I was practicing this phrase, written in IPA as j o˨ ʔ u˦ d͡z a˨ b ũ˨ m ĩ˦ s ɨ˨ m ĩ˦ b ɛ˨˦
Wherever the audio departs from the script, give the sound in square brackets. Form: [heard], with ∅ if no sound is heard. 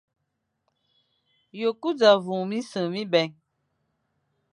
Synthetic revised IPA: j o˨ [k] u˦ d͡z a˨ [v] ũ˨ m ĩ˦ s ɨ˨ m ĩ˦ b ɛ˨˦